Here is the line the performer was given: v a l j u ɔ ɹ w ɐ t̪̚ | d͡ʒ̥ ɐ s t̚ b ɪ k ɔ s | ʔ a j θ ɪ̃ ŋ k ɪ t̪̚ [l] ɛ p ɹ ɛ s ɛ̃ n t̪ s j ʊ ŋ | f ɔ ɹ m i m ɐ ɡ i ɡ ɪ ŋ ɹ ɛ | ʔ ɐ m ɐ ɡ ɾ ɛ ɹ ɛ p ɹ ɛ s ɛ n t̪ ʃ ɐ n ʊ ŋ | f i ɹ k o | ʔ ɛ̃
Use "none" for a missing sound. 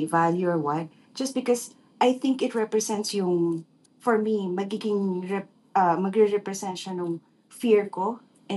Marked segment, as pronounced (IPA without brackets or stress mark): ɹ